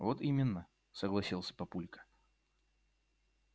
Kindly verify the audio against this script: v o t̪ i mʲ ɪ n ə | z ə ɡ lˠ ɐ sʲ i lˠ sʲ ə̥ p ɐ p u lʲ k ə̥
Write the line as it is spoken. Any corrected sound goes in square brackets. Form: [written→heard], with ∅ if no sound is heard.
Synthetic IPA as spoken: v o t̪ i mʲ ɪ [n→nː] ə | [z→s] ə ɡ lˠ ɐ sʲ i lˠ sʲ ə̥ p ɐ p u lʲ k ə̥